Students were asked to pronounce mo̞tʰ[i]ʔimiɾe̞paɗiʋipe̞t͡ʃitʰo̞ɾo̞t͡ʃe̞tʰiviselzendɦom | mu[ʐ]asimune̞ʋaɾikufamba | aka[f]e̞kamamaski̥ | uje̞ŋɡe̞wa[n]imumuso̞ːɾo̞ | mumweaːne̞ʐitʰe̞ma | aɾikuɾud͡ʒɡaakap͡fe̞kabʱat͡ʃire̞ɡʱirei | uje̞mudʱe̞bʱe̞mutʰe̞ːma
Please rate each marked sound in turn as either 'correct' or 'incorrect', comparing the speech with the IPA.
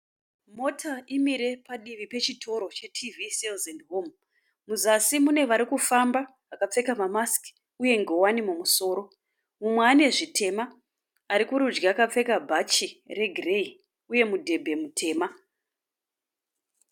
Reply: incorrect: a, incorrect: z, incorrect: p͡f, correct

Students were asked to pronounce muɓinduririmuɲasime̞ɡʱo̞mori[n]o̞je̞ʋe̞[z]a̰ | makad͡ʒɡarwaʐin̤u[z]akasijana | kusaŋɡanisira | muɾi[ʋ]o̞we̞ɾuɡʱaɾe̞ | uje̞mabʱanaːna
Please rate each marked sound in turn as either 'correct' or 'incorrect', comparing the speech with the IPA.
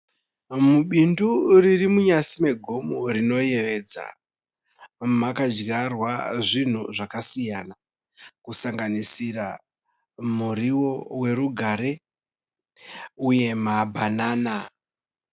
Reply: correct, incorrect: d͡z, incorrect: ʐ, incorrect: w

